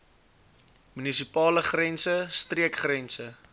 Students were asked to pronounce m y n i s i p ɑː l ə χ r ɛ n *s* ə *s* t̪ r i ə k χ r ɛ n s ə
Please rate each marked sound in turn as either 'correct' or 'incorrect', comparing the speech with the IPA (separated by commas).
correct, correct